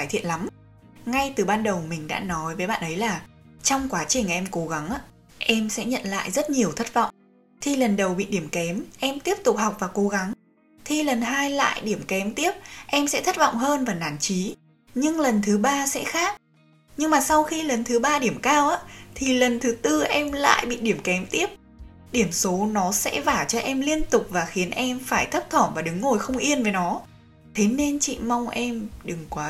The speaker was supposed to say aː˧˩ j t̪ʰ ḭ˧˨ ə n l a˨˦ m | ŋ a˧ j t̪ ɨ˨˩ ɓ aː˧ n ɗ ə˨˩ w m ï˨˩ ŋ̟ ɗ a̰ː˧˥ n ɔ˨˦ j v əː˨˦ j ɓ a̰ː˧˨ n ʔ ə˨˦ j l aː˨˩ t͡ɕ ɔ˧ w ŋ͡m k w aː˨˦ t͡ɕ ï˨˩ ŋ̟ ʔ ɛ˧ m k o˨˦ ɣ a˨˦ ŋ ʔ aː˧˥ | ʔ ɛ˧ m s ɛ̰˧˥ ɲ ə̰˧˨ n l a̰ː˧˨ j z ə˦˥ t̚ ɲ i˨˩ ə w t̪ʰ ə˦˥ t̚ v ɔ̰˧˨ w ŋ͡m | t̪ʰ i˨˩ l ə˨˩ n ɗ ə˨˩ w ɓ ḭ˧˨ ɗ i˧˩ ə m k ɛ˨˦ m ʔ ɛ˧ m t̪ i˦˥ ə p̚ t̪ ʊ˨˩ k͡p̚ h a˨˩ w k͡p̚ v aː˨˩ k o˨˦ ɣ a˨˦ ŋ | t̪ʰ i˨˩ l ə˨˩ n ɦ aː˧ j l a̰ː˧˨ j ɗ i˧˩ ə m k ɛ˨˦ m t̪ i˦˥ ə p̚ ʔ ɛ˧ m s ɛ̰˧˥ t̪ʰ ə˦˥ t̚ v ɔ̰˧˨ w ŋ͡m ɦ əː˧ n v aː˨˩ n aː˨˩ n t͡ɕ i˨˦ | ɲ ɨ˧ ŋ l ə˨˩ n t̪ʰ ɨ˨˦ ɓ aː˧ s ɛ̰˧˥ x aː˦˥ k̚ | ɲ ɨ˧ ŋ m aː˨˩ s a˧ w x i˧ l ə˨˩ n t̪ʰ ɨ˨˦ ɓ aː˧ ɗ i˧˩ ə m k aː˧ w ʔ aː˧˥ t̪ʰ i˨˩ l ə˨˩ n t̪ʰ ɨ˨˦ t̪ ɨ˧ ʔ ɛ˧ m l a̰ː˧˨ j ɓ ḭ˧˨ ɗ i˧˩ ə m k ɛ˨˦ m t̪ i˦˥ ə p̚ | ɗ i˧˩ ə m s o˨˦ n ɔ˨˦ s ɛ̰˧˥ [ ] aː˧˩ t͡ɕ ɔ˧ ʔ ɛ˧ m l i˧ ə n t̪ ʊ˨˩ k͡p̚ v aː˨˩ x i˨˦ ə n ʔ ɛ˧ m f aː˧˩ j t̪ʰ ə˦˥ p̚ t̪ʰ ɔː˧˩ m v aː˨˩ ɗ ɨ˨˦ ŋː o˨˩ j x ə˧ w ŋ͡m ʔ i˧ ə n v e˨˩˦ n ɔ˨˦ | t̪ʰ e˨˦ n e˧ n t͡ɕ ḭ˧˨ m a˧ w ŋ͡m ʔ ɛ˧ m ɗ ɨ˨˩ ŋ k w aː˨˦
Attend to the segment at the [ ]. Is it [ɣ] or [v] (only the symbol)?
v